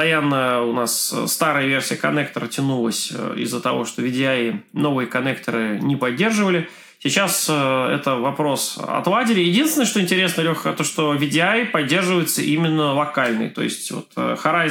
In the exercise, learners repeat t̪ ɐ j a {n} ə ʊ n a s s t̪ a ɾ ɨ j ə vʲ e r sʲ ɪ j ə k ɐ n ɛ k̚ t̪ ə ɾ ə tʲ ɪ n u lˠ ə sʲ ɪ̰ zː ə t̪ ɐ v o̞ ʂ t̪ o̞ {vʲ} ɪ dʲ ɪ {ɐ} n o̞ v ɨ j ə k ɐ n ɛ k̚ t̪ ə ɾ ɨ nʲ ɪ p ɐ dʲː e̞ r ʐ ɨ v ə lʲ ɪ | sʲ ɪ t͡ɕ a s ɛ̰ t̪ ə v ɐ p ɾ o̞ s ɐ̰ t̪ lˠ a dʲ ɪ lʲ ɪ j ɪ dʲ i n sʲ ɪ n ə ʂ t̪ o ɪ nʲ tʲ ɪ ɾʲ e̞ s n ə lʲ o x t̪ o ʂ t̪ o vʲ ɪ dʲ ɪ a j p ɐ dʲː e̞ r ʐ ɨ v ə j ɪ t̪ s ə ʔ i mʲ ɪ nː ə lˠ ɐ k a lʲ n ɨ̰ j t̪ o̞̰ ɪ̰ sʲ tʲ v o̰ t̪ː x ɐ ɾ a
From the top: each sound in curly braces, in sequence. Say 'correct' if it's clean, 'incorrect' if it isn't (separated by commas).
incorrect, correct, incorrect